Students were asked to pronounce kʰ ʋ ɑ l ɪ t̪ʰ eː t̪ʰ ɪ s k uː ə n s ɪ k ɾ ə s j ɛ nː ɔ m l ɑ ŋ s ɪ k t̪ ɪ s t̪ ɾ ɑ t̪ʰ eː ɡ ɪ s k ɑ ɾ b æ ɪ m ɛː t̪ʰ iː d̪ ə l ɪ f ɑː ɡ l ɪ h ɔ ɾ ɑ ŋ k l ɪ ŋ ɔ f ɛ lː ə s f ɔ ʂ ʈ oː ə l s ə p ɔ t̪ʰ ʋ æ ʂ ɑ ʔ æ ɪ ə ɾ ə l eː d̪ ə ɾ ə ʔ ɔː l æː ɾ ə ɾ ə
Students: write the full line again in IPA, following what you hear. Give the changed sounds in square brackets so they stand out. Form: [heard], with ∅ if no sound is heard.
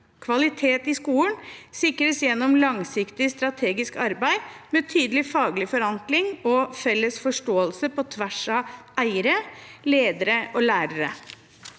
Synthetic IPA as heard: kʰ ʋ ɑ l ɪ t̪ʰ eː [t̪] ɪ s k uː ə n s ɪ k ɾ ə s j ɛ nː ɔ m l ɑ ŋ s ɪ k t̪ ɪ s t̪ ɾ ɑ t̪ʰ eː ɡ ɪ s k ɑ ɾ b æ ɪ m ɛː t̪ʰ [yː] d̪ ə l ɪ f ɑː ɡ l ɪ [f] ɔ ɾ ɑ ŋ k l ɪ ŋ ɔ f ɛ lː ə s f ɔ ʂ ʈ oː ə l s ə p ɔ t̪ʰ ʋ æ ʂ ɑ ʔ æ ɪ ə ɾ ə l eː d̪ ə ɾ ə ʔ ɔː l æː ɾ ə ɾ ə